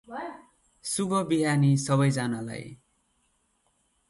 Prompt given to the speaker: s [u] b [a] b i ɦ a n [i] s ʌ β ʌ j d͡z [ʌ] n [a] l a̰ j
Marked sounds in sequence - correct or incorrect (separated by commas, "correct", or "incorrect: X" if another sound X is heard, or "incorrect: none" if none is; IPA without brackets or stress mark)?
correct, incorrect: ʌ, correct, incorrect: a, correct